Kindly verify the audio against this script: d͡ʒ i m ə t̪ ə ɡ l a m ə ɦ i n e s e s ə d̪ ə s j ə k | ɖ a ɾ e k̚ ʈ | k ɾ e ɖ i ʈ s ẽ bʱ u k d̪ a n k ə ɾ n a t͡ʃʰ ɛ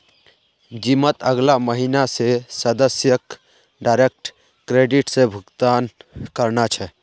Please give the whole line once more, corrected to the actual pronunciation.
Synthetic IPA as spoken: d͡ʒ i m ə t̪ ə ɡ l a m ə ɦ i n a s e s ə d̪ ə s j ə k | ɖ a ɾ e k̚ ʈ | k ɾ e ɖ i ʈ s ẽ bʱ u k t̪ a n k ə ɾ n a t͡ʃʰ ɛ